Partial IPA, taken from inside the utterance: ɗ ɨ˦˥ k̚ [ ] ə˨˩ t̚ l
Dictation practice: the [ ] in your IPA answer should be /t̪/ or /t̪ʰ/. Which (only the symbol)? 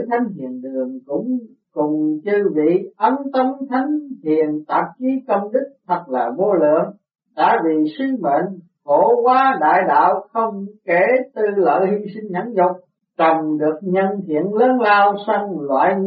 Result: t̪ʰ